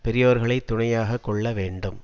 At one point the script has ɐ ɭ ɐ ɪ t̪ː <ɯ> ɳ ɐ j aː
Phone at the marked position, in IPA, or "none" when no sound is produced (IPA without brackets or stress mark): ʊ